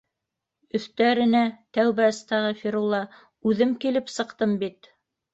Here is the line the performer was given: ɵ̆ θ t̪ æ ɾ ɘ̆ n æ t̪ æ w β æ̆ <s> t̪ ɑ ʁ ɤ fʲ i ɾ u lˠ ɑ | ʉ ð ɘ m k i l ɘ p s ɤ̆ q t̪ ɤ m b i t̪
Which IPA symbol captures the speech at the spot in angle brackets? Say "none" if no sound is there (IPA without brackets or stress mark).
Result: s